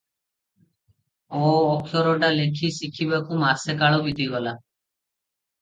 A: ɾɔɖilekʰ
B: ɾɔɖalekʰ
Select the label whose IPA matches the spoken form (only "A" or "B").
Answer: B